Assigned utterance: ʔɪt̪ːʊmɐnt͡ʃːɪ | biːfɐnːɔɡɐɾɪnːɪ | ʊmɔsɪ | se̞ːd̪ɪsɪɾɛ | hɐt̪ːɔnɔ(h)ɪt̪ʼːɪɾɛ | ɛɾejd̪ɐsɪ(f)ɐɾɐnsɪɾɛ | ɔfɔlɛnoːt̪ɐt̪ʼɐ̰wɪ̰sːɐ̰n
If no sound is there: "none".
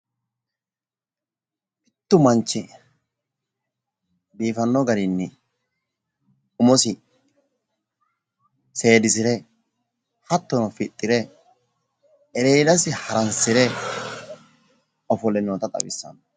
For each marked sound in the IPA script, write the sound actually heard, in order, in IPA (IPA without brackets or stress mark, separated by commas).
f, h